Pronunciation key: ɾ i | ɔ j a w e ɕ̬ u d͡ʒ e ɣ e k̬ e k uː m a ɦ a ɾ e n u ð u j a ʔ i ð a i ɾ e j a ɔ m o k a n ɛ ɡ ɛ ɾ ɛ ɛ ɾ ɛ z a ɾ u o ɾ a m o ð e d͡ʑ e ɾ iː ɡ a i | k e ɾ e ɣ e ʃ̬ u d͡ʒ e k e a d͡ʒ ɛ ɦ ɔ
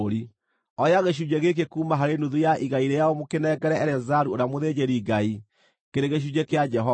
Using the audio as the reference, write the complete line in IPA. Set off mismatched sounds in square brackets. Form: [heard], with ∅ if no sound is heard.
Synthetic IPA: ɾ i | ɔ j a [ɣ] e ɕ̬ u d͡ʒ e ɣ e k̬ e k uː m a ɦ a ɾ e n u ð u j a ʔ i [ɣ] a i ɾ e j a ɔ m o k [e] n ɛ ɡ ɛ ɾ ɛ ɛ ɾ ɛ z a ɾ u o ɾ a m o ð e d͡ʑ e ɾ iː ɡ a i | k e ɾ e ɣ e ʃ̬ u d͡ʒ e k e a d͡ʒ ɛ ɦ ɔ